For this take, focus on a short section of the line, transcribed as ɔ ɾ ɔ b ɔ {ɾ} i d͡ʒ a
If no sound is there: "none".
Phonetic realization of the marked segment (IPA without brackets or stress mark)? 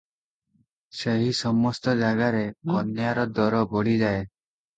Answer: ɽ